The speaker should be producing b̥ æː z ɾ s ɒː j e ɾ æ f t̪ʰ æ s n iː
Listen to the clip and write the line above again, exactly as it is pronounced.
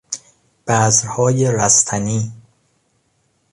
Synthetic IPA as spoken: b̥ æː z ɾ h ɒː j e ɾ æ s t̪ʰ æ n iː